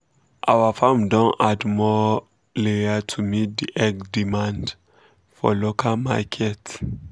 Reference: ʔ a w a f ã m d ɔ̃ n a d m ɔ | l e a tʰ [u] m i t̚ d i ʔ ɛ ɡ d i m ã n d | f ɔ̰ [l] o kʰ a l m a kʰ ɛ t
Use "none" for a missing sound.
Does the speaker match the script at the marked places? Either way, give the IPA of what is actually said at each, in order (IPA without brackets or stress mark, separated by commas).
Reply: u, l